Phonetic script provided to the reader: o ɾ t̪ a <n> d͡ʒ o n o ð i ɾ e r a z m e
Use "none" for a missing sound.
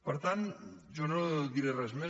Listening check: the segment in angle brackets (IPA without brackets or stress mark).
n